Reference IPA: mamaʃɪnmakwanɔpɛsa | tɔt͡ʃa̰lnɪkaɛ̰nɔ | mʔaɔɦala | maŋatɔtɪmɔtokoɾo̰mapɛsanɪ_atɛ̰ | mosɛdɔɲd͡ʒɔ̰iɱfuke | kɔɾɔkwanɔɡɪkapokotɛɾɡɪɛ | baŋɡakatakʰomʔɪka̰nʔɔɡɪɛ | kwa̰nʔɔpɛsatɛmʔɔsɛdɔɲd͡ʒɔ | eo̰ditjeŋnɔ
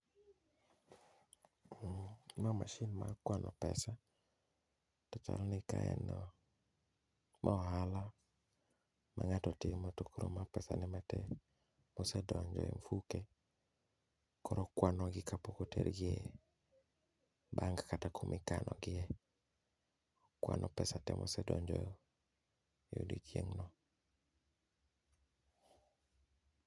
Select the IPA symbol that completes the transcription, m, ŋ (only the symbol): m